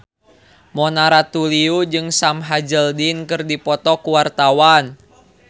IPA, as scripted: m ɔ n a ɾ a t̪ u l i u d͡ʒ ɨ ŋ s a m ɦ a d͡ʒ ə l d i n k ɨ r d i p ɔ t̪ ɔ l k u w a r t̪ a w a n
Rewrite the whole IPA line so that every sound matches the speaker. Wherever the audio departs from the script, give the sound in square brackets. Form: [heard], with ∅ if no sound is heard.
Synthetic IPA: m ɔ n a ɾ a t̪ u l i u d͡ʒ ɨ ŋ s a m ɦ a d͡ʒ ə l d i n k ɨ r d i p ɔ t̪ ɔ [∅] k u w a r t̪ a w a n

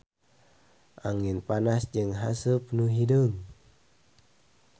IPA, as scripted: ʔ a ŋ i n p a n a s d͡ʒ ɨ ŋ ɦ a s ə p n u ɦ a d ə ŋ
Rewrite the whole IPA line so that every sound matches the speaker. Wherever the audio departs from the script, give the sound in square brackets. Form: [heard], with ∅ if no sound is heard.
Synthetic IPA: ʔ a ŋ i n p a n a s d͡ʒ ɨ ŋ ɦ a s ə p n u ɦ [i] d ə ŋ

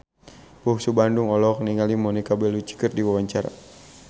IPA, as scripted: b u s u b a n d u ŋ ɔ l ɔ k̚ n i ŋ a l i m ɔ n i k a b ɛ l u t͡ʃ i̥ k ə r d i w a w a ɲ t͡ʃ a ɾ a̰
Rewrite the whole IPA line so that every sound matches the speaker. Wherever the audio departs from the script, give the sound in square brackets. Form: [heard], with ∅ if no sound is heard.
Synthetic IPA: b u s u b a n d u ŋ ɔ l ɔ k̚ n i ŋ a l i m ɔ n i k a b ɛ l u t͡ʃ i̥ k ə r d i w a w a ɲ t͡ʃ a ɾ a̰

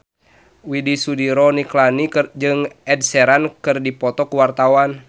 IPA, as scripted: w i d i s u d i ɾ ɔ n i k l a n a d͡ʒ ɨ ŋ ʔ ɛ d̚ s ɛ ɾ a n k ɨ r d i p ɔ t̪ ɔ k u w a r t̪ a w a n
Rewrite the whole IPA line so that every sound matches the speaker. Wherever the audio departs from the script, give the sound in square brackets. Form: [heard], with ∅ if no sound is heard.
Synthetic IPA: w i d i s u d i ɾ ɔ n i k l a n [i] d͡ʒ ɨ ŋ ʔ ɛ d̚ s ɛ ɾ a n k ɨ r d i p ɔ t̪ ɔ k u w a r t̪ a w a n

